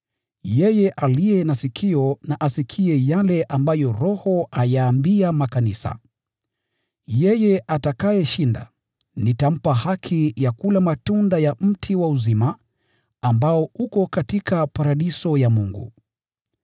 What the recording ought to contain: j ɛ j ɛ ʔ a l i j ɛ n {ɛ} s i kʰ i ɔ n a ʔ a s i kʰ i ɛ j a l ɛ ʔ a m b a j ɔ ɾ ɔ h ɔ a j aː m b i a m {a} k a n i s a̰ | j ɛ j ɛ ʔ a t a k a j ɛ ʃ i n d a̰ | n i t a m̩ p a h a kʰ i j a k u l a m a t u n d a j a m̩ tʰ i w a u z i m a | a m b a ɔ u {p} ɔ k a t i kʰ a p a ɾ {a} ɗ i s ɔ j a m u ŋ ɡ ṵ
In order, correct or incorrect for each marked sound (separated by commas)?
incorrect, correct, incorrect, correct